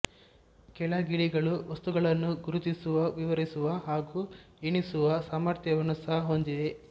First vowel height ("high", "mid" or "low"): mid